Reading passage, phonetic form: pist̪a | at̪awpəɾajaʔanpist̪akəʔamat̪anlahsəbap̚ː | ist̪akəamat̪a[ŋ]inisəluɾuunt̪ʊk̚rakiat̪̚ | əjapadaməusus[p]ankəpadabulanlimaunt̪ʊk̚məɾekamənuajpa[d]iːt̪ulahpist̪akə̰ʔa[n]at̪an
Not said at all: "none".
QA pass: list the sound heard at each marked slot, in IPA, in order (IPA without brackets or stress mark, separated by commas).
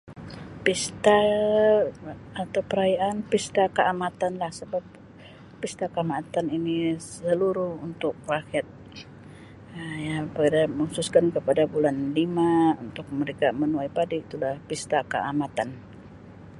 n, k, d, m